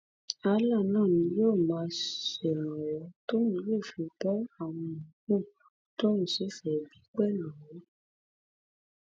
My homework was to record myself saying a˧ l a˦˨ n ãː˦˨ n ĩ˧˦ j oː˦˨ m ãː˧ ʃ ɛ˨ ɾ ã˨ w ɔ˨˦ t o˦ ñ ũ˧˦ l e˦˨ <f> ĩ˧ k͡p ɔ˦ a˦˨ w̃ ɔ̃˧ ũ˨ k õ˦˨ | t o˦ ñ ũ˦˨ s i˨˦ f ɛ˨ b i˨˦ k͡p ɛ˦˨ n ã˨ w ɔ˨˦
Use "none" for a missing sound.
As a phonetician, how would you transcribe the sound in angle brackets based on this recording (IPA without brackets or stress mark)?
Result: f